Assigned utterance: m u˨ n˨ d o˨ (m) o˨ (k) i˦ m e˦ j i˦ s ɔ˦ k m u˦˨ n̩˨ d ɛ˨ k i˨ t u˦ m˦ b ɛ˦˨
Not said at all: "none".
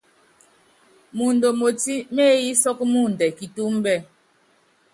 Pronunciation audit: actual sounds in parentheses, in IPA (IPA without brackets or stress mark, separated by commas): m, t